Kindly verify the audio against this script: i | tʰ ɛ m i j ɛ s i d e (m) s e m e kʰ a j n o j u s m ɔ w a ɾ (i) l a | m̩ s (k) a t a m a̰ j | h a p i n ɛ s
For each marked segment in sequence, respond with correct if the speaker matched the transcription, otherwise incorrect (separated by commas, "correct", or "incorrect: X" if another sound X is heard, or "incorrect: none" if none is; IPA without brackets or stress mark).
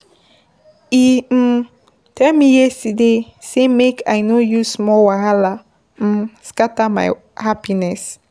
incorrect: none, incorrect: a, correct